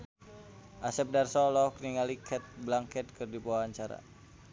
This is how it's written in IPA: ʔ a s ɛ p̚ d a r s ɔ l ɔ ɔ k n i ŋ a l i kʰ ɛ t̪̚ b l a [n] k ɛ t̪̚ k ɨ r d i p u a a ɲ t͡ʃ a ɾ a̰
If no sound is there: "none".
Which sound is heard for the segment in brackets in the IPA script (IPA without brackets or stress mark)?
ŋ